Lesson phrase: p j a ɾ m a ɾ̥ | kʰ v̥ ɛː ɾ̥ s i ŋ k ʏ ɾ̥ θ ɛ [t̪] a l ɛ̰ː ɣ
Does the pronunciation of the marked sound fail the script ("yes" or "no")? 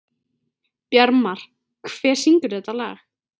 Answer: no